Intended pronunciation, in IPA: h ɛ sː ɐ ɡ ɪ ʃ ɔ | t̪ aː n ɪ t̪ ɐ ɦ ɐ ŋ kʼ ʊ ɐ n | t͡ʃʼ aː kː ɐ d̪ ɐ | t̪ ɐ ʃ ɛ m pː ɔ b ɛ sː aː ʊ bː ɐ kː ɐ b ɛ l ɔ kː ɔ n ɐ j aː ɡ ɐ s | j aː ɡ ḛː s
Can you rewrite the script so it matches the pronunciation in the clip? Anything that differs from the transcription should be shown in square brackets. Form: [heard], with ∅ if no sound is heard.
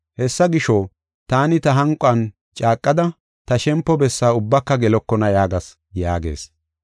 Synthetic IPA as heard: h ɛ sː ɐ ɡ ɪ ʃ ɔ | t̪ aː n ɪ t̪ ɐ ɦ ɐ ŋ kʼ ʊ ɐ n | t͡ʃʼ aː [kʼː] ɐ d̪ ɐ | t̪ ɐ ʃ ɛ m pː ɔ b ɛ sː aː ʊ bː ɐ kː ɐ [ɡ] ɛ l ɔ kː ɔ n ɐ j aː ɡ ɐ s | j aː ɡ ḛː s